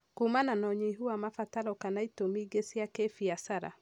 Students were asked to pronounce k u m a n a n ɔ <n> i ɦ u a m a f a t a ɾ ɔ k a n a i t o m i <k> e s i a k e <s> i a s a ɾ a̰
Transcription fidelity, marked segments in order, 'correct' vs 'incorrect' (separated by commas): incorrect, incorrect, incorrect